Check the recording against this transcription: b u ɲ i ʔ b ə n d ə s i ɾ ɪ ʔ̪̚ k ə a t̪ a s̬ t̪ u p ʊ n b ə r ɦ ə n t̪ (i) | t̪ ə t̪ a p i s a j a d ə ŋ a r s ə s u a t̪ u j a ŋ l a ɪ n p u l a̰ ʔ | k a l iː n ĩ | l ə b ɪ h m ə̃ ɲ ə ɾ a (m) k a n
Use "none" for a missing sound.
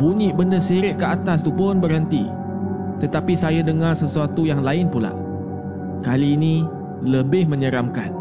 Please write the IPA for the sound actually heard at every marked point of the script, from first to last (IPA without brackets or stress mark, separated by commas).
i, m